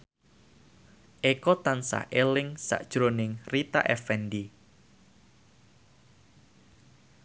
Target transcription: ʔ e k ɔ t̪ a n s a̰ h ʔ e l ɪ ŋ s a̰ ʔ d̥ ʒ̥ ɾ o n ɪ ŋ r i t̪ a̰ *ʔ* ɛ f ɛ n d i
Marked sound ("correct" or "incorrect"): correct